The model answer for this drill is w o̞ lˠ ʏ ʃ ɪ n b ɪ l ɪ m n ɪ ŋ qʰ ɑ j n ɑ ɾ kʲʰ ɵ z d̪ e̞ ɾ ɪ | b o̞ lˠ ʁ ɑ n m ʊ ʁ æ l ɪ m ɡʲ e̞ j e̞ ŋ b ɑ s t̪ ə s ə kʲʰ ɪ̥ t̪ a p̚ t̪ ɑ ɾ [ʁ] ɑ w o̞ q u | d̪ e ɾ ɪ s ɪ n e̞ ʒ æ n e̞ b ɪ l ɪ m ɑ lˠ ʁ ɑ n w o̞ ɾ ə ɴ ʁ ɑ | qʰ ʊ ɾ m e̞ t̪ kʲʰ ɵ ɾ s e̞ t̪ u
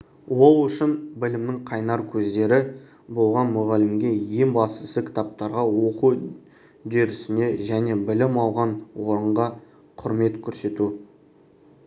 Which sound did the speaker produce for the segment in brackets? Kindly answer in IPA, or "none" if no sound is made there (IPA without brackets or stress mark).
ʁ